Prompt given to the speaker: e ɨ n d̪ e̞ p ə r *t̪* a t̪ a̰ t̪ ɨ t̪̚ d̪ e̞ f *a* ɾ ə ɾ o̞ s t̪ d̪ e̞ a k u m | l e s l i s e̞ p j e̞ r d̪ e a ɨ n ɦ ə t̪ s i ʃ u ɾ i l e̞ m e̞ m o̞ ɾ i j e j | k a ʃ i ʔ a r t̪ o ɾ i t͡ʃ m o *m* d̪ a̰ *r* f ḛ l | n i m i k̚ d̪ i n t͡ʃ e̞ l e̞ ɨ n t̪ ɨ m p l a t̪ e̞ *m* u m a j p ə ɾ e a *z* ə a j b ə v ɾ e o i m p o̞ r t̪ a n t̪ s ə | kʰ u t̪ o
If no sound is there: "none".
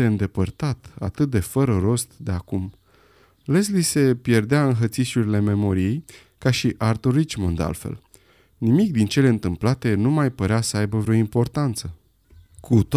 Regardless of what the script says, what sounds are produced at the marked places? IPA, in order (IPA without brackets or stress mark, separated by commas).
t̪, ə, n, l, n, s